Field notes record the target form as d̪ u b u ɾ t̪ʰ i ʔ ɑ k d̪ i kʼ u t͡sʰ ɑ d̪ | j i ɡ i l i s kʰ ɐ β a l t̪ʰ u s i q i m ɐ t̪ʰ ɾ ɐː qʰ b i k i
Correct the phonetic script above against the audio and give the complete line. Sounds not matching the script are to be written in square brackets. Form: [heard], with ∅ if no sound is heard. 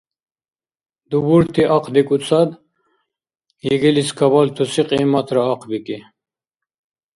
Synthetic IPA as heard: d̪ u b u ɾ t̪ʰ i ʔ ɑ [q] d̪ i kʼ u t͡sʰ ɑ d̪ | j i ɡ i l i s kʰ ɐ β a l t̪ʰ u s i q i m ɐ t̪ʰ ɾ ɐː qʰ b i k i